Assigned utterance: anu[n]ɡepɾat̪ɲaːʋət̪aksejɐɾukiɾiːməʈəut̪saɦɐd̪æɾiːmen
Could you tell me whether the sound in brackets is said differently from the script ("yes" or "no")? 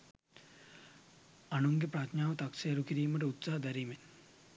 yes